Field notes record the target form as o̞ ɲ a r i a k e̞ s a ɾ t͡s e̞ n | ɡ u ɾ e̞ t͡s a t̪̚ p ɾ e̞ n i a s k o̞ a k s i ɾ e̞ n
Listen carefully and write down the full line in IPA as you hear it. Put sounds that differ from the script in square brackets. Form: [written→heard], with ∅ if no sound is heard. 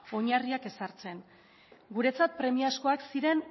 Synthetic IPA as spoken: o̞ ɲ a r i a k e̞ s a ɾ t͡s e̞ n | ɡ u ɾ e̞ t͡s a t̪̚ p ɾ e̞ [n→m] i a s k o̞ a k s i ɾ e̞ n